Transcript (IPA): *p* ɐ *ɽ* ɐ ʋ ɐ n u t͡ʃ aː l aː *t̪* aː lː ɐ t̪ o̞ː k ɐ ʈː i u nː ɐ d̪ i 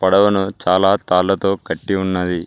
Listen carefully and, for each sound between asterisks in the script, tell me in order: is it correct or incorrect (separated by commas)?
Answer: correct, correct, correct